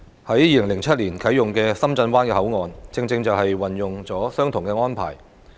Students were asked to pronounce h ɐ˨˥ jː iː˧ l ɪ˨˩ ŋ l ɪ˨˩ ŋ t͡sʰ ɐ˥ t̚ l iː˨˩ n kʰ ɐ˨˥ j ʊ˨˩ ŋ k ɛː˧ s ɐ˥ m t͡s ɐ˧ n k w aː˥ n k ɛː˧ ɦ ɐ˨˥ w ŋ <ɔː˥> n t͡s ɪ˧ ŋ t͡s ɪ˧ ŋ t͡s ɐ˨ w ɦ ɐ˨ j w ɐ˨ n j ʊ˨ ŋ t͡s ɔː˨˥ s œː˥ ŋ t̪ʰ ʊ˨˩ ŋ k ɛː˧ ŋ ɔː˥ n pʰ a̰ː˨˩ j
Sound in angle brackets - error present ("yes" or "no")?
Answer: yes